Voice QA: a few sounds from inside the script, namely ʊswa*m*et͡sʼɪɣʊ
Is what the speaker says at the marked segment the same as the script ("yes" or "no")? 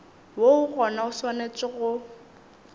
no